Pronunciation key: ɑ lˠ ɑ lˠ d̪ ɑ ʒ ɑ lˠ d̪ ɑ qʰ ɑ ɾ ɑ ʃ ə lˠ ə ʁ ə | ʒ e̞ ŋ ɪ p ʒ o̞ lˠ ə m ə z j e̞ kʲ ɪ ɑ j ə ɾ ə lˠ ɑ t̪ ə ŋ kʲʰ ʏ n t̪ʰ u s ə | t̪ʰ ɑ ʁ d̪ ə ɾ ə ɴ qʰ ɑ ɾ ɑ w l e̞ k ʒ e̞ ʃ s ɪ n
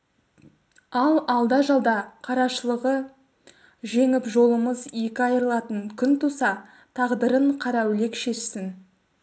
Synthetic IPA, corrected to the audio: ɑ lˠ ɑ lˠ d̪ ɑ ʒ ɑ lˠ d̪ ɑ qʰ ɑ ɾ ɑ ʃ ə lˠ ə ʁ ə | ʒ e̞ ŋ ɪ p ʒ o̞ lˠ ə m ə z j e̞ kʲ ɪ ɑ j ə ɾ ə lˠ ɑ t̪ ə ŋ kʲʰ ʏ n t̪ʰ u s ɑ | t̪ʰ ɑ ʁ d̪ ə ɾ ə ɴ qʰ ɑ ɾ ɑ w l e̞ k ʃ e̞ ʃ s ɪ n